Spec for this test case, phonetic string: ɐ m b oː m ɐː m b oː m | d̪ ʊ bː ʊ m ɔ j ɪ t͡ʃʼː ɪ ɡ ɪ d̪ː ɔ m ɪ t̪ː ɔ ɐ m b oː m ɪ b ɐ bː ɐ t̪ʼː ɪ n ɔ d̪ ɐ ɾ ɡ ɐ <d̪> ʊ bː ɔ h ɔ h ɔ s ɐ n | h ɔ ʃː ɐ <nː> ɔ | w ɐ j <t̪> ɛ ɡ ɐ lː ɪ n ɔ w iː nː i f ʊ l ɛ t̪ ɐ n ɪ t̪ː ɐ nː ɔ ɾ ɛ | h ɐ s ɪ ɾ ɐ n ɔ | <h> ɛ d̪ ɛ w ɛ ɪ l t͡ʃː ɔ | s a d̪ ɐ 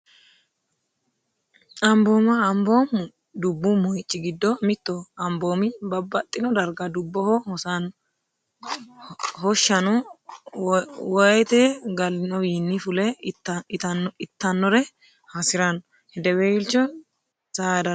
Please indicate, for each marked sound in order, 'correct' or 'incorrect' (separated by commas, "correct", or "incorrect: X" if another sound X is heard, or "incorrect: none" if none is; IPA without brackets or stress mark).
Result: correct, incorrect: n, correct, correct